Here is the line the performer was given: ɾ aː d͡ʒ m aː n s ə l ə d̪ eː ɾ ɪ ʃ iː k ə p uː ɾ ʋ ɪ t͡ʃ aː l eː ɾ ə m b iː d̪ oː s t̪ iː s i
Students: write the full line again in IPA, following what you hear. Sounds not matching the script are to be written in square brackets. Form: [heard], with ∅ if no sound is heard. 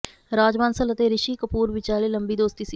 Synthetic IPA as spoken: ɾ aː d͡ʒ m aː n s ə l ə [t̪] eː ɾ ɪ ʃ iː k ə p uː ɾ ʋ ɪ t͡ʃ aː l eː [l] ə m b iː d̪ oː s t̪ iː s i